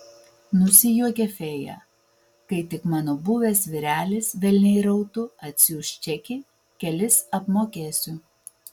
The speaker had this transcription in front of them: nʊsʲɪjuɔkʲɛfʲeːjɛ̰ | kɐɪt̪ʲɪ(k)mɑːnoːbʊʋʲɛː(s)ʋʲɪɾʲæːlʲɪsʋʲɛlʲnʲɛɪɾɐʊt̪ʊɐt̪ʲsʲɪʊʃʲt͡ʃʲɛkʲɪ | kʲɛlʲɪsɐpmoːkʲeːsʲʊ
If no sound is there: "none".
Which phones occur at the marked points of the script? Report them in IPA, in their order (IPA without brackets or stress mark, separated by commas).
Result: k, s